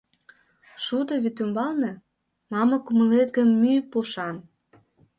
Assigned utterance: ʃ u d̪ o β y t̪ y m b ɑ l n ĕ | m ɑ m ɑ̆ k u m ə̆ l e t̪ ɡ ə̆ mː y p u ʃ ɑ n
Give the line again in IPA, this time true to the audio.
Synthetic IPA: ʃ u d̪ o β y t̪ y m b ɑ l n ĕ | m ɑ m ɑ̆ k u m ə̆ l e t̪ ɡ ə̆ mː y p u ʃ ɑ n

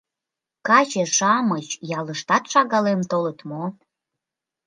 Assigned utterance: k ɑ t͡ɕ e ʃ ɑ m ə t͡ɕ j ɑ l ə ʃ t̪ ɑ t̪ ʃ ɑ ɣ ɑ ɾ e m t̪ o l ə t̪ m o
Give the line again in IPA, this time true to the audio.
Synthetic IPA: k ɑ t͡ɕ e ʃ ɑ m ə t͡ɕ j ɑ l ə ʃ t̪ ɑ t̪ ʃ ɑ ɣ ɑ l e m t̪ o l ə t̪ m o

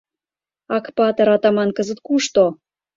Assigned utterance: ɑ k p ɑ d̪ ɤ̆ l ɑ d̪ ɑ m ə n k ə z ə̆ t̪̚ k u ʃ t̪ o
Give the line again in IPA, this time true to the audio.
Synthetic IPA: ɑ k p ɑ t̪ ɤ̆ ɾ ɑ t̪ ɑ m ɑ n k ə z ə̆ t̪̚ k u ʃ t̪ o

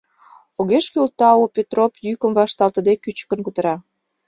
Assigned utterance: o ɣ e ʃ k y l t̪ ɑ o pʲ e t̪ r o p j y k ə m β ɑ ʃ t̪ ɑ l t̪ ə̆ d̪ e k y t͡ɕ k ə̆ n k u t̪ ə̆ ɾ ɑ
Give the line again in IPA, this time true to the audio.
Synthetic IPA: o ɣ e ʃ k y l t̪ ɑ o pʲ e t̪ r o p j y k ə m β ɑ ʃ t̪ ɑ l t̪ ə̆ d̪ e k y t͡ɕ k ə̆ n k u t̪ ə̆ ɾ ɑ

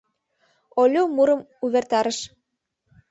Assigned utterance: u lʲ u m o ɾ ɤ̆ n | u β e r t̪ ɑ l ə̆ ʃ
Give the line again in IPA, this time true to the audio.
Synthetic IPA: o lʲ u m u ɾ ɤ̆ m | u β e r t̪ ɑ ɾ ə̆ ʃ

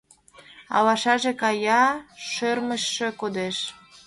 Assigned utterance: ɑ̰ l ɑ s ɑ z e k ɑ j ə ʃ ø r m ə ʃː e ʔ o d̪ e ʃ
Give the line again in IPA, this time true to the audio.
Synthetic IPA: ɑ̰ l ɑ ʃ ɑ ʒ e k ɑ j ɑ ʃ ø r m ə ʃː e k o d̪ e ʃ

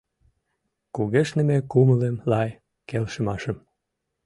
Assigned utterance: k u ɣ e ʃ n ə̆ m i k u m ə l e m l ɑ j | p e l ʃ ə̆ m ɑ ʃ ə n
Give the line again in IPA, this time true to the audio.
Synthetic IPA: k u ɣ e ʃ n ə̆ m e k u m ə l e m l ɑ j | k e l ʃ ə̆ m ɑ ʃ ə m

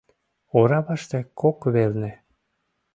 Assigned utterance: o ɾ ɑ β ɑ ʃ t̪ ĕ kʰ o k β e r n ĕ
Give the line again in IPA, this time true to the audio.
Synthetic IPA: o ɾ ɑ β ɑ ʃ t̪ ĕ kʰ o k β e l n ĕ

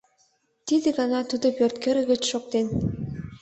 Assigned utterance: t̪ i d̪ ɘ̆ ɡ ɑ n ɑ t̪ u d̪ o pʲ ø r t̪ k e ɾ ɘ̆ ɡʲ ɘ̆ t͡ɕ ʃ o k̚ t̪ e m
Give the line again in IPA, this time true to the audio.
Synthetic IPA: t̪ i d̪ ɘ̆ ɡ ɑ n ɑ t̪ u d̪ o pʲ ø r t̪ k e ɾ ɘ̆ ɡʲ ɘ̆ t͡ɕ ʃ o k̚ t̪ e n

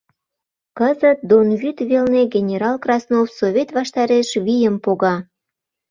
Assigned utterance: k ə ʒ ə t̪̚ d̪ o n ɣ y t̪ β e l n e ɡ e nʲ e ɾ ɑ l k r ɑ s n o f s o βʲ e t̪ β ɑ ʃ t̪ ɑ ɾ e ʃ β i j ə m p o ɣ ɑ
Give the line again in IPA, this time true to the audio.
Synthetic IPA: k ə z ə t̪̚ d̪ o n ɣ y t̪ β e l n e ɡ e nʲ e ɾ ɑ l k r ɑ s n o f s o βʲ e t̪ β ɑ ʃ t̪ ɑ ɾ e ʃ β i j ə m p o ɣ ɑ

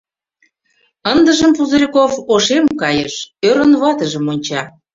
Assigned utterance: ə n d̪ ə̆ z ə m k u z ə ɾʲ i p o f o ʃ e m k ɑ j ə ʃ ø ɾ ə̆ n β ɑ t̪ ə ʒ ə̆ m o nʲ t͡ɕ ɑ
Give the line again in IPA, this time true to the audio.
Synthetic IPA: ə n d̪ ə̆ ʒ ə m p u z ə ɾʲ i k o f o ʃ e m k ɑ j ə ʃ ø ɾ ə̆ n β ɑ t̪ ə ʒ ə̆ m o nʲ t͡ɕ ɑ

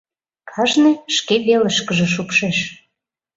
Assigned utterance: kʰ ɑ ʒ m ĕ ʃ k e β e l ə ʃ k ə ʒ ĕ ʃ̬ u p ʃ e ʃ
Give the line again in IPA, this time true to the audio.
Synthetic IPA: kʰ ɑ ʒ n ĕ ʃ k e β e l ə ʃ k ə ʒ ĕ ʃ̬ u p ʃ e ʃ

